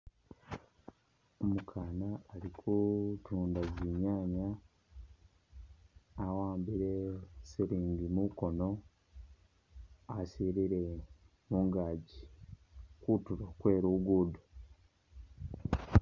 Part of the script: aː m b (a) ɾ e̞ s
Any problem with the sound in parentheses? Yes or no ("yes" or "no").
yes